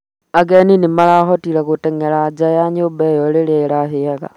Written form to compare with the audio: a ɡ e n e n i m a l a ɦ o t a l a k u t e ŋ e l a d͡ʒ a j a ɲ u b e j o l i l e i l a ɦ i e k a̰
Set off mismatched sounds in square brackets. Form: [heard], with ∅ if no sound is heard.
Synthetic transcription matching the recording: a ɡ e n [i] n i m a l a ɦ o t [i] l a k u t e ŋ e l a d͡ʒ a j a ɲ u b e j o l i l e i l a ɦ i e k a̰